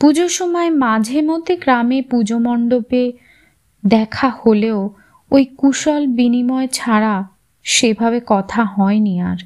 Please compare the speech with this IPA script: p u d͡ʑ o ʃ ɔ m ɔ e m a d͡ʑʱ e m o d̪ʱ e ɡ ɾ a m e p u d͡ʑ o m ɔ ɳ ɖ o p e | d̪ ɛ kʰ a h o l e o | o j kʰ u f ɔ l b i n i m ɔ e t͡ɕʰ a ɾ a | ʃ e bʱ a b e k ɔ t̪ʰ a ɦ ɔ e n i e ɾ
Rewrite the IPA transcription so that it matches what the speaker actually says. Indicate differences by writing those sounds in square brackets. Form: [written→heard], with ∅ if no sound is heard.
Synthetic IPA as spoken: p u d͡ʑ o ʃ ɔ m ɔ e m a d͡ʑʱ e m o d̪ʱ e ɡ ɾ a m e p u d͡ʑ o m ɔ ɳ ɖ o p e | d̪ ɛ kʰ a h o l e o | o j [kʰ→k] u [f→ʃ] ɔ l b i n i m ɔ e t͡ɕʰ a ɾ a | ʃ e bʱ a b e k ɔ t̪ʰ a ɦ ɔ e n i [e→a] ɾ